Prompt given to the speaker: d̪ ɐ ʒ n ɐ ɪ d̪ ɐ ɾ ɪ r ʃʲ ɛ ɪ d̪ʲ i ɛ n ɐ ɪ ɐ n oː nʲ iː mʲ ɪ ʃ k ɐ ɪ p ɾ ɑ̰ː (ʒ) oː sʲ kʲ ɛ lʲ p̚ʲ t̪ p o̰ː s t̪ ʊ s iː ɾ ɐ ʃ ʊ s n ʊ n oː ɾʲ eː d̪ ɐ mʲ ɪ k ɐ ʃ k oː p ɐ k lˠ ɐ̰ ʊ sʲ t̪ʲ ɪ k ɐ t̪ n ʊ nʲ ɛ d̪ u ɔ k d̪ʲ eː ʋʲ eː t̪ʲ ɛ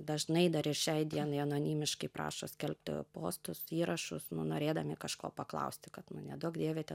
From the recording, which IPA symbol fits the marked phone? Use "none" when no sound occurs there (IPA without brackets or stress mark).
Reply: ʃ